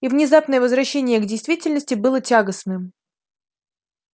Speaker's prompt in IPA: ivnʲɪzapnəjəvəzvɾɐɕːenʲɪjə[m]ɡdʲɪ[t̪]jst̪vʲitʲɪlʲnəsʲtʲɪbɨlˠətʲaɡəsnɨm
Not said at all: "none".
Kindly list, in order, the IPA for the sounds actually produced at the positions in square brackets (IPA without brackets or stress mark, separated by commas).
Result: none, none